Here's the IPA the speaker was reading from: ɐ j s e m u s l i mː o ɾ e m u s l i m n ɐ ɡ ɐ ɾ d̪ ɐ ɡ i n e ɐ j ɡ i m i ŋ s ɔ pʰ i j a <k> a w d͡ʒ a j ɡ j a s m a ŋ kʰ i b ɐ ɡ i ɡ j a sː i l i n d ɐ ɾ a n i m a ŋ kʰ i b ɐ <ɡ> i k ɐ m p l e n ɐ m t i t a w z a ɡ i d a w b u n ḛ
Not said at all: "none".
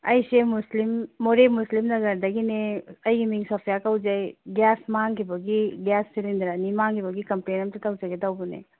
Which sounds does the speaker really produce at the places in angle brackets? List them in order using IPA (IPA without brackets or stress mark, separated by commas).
k, ɡ